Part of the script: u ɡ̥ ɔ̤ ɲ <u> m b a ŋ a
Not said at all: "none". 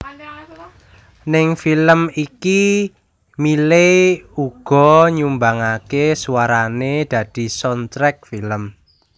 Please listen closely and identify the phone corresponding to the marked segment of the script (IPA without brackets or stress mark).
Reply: u